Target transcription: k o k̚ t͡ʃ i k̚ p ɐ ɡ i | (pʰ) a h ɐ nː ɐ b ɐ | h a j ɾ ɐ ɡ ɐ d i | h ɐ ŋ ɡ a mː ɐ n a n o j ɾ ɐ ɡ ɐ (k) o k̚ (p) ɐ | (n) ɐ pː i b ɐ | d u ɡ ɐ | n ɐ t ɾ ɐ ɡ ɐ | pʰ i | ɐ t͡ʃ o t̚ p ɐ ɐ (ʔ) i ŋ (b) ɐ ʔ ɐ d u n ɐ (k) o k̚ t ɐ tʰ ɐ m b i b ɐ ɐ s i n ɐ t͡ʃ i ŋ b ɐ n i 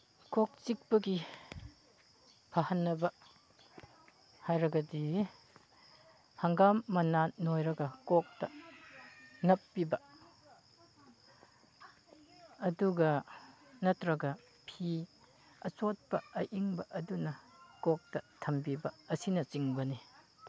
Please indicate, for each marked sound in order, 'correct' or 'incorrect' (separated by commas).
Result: correct, correct, incorrect, correct, correct, correct, correct